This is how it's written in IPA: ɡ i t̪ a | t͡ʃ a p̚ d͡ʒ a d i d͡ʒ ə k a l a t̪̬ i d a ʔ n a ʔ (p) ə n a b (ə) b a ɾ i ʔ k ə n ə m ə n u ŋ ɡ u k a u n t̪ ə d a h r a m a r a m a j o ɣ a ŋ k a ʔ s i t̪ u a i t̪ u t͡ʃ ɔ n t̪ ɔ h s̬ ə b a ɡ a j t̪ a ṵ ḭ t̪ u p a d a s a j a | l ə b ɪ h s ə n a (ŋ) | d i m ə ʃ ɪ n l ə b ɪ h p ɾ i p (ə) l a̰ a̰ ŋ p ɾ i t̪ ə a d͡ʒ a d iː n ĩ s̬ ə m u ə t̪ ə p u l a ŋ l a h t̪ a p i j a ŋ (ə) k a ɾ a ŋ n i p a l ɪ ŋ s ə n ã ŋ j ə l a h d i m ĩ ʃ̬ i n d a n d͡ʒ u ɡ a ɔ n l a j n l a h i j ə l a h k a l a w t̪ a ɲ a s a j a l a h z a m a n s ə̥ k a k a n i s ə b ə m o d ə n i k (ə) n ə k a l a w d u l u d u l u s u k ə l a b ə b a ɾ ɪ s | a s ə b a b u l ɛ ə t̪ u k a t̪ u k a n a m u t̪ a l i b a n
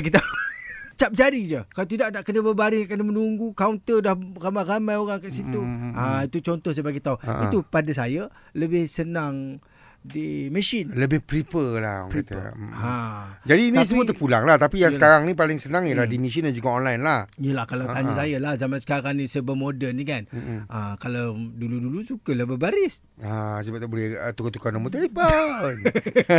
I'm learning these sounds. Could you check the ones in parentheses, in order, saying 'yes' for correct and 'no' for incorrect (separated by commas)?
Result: no, yes, yes, yes, yes, no